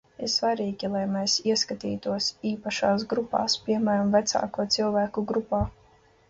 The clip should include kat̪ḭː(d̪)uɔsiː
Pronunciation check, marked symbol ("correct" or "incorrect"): incorrect